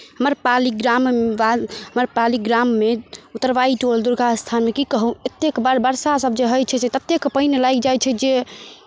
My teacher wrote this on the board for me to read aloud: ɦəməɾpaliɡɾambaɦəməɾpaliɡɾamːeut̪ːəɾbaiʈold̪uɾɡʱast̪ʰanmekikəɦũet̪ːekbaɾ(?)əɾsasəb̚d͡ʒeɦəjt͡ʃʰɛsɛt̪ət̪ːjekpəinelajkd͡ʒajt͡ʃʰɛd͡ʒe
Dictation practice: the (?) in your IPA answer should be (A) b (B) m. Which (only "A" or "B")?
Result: A